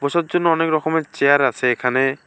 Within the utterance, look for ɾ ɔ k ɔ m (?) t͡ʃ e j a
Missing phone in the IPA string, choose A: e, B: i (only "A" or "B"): A